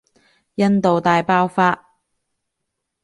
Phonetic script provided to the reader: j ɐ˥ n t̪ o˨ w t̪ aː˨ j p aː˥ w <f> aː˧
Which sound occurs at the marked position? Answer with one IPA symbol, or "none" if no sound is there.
f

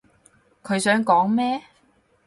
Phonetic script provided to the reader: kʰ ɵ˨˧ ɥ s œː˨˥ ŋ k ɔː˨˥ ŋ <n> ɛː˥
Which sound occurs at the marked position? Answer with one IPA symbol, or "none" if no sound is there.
m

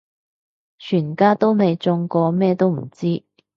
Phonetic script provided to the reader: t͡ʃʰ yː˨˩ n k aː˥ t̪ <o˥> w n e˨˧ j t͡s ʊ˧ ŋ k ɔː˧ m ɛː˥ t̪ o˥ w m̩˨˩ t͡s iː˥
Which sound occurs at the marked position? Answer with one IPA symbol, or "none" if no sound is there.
o˥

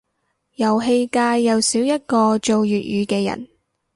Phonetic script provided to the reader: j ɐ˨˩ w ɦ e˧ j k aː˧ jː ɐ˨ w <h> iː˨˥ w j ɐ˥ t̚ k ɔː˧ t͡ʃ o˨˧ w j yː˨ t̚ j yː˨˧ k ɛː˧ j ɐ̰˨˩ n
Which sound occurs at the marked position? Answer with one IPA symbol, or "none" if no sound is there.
s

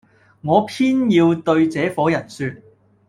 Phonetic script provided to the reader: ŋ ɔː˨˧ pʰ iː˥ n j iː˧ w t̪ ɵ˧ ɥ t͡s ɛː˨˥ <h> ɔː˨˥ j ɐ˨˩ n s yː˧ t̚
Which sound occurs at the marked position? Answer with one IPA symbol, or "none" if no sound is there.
f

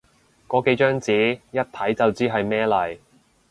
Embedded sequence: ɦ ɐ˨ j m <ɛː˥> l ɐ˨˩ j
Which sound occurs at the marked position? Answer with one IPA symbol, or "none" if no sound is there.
ɛː˥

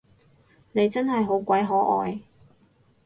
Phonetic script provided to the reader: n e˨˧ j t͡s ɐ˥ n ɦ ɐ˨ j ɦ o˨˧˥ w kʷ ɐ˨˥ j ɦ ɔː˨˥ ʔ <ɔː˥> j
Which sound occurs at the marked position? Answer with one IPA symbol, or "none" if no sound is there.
ɔː˨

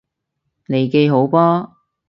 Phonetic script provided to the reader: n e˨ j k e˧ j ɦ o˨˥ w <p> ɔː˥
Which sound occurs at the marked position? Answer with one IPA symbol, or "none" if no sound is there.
p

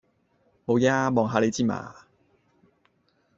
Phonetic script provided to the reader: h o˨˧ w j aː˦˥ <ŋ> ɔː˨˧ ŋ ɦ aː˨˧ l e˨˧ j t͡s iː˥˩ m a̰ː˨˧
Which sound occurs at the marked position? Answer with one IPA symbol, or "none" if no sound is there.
m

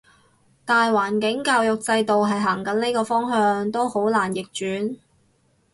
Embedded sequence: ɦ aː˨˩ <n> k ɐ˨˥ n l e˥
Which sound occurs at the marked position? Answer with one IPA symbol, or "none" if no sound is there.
ŋ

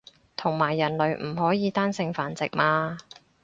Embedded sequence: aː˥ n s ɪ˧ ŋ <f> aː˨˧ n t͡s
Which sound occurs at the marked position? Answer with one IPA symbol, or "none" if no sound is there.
f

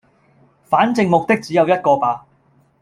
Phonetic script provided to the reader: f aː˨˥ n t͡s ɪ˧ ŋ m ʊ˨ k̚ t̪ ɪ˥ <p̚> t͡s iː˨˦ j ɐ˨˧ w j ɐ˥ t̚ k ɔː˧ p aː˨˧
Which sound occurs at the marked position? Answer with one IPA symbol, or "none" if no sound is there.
k̚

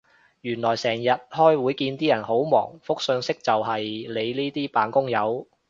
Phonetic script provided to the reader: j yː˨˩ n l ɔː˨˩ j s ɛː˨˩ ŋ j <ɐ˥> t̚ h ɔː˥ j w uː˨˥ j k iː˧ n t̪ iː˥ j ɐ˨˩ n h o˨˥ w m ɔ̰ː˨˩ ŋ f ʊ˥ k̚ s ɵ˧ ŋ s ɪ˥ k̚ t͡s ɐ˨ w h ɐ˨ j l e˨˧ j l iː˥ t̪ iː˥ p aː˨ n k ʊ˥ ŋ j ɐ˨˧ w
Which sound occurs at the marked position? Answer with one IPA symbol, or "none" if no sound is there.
ɐ˨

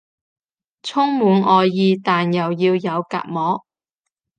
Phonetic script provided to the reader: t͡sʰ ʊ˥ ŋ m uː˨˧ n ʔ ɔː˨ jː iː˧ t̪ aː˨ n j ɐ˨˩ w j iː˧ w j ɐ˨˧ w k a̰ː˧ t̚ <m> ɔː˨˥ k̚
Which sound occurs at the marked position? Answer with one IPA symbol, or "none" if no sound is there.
m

